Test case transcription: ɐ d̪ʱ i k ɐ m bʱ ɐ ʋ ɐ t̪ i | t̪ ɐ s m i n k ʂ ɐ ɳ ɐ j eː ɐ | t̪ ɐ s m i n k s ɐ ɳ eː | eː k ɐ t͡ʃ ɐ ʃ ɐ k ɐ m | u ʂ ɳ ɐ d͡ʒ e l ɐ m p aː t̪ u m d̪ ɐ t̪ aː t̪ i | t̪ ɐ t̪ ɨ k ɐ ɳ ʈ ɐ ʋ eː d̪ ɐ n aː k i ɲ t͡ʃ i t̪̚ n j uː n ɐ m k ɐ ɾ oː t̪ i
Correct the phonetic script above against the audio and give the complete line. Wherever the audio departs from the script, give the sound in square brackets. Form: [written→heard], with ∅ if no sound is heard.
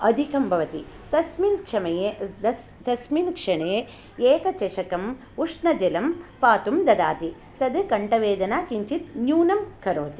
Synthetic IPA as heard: ɐ d̪ʱ i k ɐ m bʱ ɐ ʋ ɐ t̪ i | t̪ ɐ s m i n k ʂ ɐ [ɳ→m] ɐ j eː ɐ | t̪ ɐ s m i n k [s→ʂ] ɐ ɳ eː | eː k ɐ t͡ʃ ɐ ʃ ɐ k ɐ m | u ʂ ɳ ɐ d͡ʒ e l ɐ m p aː t̪ u m d̪ ɐ [t̪→d̪] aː t̪ i | t̪ ɐ [t̪→d̪] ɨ k ɐ ɳ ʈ ɐ ʋ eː d̪ ɐ n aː k i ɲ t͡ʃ i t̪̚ n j uː n ɐ m k ɐ ɾ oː t̪ i